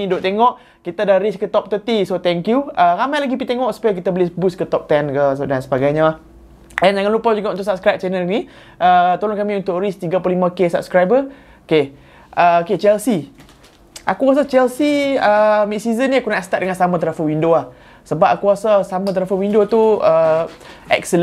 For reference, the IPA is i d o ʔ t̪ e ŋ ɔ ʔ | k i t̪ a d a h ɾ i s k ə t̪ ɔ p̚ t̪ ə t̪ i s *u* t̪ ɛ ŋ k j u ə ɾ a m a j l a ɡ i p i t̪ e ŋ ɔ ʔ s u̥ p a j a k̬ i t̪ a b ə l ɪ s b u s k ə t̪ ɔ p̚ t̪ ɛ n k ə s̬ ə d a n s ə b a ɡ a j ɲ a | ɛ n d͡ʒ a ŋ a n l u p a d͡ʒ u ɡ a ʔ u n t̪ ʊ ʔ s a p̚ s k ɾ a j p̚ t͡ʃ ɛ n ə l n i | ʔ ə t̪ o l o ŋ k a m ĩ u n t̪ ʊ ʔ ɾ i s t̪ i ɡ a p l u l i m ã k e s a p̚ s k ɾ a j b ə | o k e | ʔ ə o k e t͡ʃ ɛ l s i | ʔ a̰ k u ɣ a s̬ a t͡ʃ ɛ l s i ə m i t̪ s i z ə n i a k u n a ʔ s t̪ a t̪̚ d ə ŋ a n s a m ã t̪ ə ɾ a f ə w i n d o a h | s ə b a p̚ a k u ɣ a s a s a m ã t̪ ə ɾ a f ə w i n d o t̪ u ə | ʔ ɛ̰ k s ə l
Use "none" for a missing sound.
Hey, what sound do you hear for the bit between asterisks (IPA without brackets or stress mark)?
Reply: o